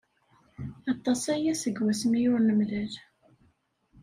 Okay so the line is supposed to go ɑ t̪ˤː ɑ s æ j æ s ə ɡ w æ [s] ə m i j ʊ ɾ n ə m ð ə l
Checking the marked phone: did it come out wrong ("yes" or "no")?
no